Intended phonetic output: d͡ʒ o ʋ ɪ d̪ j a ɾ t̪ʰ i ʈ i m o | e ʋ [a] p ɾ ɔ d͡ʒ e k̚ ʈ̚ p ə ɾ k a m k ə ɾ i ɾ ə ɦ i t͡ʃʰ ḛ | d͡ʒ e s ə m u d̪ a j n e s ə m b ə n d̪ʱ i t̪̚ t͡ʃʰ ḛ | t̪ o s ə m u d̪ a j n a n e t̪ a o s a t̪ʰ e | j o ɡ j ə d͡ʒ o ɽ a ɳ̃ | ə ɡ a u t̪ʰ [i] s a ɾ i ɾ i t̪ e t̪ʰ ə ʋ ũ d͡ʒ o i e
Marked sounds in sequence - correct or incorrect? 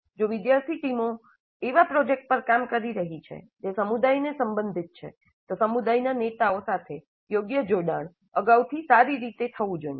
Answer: correct, correct

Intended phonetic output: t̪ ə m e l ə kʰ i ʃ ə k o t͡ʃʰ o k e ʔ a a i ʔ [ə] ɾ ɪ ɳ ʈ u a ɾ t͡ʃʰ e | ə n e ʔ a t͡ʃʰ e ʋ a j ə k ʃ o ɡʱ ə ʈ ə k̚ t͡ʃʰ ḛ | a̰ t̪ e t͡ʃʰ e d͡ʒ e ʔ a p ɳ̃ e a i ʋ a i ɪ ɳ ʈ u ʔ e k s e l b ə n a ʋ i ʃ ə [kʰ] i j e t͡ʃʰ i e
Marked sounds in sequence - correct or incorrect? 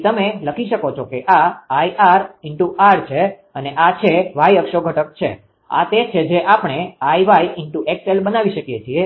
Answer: incorrect: a, incorrect: k

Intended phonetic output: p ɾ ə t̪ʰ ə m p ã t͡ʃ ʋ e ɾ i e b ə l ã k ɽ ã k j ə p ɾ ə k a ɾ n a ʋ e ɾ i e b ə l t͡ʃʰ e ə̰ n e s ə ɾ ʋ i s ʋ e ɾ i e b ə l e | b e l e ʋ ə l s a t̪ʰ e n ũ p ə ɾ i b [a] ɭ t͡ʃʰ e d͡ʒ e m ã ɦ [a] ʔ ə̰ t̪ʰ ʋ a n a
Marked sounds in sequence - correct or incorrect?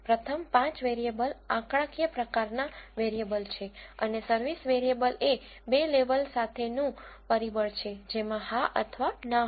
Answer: incorrect: ə, correct

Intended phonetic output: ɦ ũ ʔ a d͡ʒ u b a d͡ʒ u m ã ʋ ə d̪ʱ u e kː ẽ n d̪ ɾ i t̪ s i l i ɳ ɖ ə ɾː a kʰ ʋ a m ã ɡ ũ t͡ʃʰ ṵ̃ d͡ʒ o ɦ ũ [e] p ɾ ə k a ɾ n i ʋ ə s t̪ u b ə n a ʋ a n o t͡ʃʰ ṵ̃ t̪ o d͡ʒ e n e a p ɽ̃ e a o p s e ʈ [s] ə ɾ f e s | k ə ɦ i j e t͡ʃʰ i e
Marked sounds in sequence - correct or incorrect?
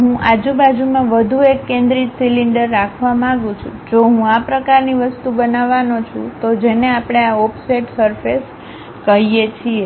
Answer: incorrect: a, correct

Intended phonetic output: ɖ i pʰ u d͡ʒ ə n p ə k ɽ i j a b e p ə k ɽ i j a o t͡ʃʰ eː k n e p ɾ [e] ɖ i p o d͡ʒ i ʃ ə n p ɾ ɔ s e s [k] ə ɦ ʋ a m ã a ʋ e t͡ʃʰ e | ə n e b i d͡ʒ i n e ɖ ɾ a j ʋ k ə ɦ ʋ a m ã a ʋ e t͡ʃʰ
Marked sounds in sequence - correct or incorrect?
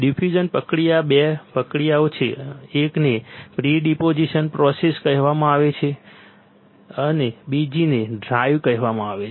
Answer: incorrect: i, correct

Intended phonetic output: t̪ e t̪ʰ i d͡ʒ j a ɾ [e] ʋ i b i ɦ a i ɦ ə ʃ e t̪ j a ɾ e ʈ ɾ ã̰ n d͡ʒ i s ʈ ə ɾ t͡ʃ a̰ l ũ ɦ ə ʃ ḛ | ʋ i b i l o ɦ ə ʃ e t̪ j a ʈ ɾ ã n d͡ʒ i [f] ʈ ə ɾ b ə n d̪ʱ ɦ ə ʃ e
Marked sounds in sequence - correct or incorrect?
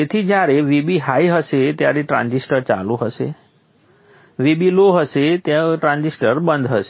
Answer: correct, incorrect: s

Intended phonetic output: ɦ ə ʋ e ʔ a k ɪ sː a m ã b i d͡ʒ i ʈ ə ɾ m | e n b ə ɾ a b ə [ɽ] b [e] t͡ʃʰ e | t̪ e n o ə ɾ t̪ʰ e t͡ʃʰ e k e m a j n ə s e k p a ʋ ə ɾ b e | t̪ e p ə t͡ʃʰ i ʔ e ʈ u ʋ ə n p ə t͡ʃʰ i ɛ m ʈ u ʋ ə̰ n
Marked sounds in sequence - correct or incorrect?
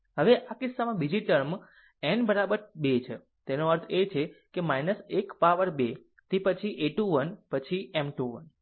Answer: incorrect: ɾ, correct

